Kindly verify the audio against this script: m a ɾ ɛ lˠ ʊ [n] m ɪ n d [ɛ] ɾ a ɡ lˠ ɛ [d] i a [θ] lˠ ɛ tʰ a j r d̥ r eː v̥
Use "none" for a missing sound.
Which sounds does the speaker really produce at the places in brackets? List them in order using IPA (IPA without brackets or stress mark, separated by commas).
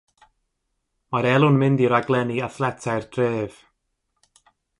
n, i, n, θ